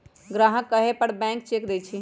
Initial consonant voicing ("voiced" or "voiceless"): voiced